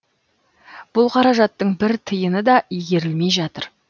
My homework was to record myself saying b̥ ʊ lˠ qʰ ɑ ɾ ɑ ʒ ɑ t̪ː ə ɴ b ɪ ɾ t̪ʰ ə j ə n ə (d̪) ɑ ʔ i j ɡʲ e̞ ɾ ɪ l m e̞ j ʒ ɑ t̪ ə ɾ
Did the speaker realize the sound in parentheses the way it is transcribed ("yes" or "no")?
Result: yes